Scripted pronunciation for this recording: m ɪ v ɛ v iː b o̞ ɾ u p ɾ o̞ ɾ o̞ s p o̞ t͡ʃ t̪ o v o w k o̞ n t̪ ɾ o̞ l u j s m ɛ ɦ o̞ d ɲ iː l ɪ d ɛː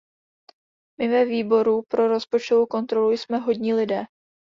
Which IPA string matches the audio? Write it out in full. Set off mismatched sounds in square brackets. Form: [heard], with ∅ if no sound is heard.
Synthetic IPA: m ɪ v ɛ v iː b o̞ ɾ u p ɾ o̞ ɾ o̞ s p o̞ t͡ʃ t̪ o v o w k o̞ n t̪ ɾ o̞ l u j s m ɛ ɦ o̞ d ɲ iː l ɪ d ɛː

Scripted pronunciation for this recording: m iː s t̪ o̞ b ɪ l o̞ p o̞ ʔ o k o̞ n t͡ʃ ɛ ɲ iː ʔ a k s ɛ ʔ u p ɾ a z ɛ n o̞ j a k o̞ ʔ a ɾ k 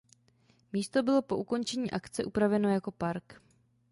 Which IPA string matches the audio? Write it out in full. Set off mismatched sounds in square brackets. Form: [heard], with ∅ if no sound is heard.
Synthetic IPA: m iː s t̪ o̞ b ɪ l o̞ p o̞ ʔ [u] k o̞ n t͡ʃ ɛ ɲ iː ʔ a k [t͡s] ɛ ʔ u p ɾ a [v] ɛ n o̞ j a k o̞ [p] a ɾ k

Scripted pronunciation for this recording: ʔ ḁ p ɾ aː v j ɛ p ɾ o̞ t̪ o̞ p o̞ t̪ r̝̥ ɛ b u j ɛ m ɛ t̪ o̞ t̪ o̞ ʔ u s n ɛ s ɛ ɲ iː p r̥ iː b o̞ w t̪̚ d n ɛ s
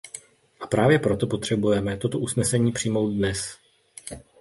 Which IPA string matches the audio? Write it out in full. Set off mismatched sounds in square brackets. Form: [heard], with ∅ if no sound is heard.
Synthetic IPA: ʔ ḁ p ɾ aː v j ɛ p ɾ o̞ t̪ o̞ p o̞ t̪ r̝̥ ɛ b u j ɛ m ɛ t̪ o̞ t̪ o̞ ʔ u s n ɛ s ɛ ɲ iː p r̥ iː [m] o̞ w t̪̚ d n ɛ s

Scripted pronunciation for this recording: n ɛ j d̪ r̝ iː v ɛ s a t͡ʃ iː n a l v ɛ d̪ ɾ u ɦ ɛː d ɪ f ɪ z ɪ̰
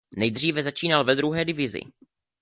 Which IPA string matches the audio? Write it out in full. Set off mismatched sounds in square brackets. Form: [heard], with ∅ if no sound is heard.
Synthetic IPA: n ɛ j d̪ r̝ iː v ɛ [z] a t͡ʃ iː n a l v ɛ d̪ ɾ u ɦ ɛː d ɪ [v] ɪ z ɪ̰

